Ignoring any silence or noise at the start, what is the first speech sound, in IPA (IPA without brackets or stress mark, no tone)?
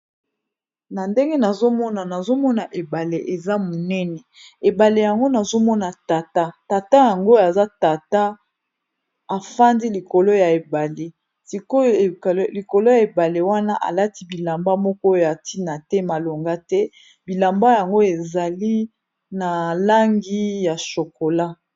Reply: n